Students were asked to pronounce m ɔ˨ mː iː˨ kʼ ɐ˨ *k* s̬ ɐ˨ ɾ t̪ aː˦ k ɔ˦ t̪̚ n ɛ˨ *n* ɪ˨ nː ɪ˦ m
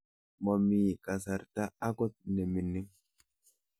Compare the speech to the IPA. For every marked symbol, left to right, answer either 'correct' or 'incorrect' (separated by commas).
incorrect, incorrect